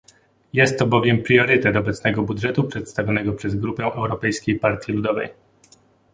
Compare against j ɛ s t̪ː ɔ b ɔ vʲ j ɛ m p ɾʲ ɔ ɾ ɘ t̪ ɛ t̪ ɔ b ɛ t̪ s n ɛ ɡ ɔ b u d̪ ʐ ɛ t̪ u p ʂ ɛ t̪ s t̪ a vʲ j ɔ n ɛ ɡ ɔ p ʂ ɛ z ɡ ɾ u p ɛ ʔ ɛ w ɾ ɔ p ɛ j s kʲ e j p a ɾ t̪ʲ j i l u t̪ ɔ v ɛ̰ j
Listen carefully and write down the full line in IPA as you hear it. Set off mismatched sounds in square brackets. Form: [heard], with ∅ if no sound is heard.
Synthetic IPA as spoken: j ɛ s t̪ː ɔ b ɔ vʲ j ɛ m p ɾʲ ɔ ɾ ɘ t̪ ɛ t̪ ɔ b ɛ t̪ s n ɛ ɡ ɔ b u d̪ ʐ ɛ t̪ u p ʂ ɛ t̪ s t̪ a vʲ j ɔ n ɛ ɡ ɔ p ʂ ɛ z ɡ ɾ u p ɛ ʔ ɛ w ɾ ɔ p ɛ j s kʲ e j p a ɾ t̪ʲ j i l u [d̪] ɔ v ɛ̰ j